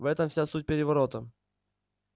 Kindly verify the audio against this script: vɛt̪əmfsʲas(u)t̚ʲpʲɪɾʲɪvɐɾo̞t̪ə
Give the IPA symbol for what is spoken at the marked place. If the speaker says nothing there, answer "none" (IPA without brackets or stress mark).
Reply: u